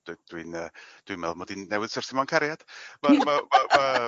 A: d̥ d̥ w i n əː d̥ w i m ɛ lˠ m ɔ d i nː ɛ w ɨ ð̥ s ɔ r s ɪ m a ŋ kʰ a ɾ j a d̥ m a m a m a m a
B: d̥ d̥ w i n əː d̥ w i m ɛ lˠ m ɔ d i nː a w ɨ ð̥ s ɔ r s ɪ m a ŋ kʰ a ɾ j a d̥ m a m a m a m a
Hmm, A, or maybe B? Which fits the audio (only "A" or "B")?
A